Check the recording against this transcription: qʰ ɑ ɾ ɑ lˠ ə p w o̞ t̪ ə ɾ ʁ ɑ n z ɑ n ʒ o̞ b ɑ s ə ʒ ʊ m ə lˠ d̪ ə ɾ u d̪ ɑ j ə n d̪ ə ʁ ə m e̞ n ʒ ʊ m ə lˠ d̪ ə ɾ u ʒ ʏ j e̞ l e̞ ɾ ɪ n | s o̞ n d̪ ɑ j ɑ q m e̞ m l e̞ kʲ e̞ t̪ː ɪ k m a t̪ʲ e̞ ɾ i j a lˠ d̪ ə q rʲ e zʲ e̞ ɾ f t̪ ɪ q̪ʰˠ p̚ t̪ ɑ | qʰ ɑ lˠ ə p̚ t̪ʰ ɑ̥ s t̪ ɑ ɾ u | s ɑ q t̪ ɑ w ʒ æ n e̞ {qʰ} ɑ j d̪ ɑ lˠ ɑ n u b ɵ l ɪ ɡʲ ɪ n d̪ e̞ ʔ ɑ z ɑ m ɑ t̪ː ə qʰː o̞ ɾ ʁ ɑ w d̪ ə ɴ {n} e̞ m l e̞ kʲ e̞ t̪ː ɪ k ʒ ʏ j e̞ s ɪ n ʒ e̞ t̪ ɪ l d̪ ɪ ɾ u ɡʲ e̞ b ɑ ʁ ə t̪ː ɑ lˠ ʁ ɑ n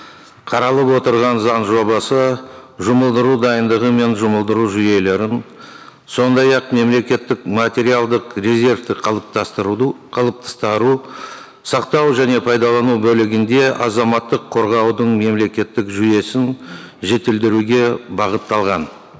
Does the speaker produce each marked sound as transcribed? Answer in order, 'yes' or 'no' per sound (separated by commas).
no, no